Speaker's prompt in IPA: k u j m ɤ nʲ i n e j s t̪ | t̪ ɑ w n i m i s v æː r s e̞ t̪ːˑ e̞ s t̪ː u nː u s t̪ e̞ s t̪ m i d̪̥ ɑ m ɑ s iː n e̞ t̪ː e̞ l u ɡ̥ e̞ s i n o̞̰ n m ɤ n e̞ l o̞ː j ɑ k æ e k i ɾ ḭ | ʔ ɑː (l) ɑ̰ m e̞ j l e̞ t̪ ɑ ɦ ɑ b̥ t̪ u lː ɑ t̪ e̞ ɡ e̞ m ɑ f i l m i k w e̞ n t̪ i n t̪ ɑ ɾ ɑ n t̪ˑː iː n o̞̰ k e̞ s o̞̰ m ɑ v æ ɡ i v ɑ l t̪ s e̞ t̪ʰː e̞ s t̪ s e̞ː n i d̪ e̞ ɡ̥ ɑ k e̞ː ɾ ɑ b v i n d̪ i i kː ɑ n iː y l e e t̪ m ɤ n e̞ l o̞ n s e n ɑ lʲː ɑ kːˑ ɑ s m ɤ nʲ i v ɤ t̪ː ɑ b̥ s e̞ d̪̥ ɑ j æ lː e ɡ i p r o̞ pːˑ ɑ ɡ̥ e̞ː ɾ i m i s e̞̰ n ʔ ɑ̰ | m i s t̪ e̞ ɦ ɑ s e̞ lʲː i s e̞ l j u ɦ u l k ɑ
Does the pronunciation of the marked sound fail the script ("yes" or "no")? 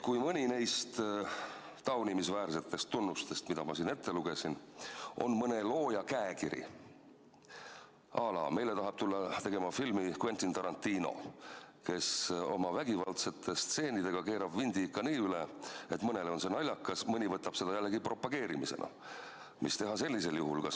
no